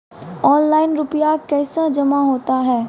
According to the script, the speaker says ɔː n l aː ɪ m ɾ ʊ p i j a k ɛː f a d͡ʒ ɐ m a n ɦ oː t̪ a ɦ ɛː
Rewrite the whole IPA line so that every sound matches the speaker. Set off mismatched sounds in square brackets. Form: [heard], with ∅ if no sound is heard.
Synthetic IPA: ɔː n l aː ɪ [n] ɾ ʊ p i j a k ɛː [s] a d͡ʒ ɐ m a [∅] ɦ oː t̪ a ɦ ɛː